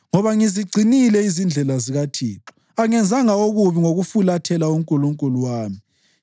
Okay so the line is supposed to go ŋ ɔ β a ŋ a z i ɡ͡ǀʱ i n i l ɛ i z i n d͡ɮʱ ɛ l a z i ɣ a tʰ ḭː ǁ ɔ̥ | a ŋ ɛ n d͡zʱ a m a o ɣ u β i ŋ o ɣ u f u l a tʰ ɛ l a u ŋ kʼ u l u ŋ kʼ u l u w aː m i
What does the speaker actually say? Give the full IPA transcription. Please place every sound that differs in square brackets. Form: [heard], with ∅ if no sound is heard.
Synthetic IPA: ŋ ɔ β a ŋ [i] z i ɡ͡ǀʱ i n i l ɛ i z i n d͡ɮʱ ɛ l a z i ɣ a tʰ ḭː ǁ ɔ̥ | a ŋ ɛ n d͡zʱ a [ŋ] a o ɣ u β i ŋ o ɣ u f u l a tʰ ɛ l a u ŋ kʼ u l u ŋ kʼ u l u w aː m i